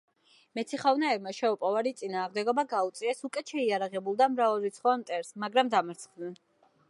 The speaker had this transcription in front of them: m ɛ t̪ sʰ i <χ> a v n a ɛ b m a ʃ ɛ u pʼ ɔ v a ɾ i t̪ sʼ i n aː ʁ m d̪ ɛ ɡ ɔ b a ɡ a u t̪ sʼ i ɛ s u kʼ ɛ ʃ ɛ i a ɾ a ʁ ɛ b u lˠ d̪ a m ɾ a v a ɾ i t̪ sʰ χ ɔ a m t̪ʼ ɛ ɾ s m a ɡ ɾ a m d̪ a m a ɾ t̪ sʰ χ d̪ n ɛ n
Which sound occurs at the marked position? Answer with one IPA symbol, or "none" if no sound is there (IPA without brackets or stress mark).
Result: χ